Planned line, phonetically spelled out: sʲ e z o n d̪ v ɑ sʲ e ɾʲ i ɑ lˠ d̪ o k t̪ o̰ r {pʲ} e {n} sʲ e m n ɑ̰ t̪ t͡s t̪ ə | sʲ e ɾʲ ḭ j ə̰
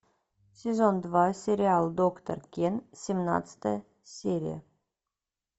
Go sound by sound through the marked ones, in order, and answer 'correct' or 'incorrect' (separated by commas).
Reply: incorrect, correct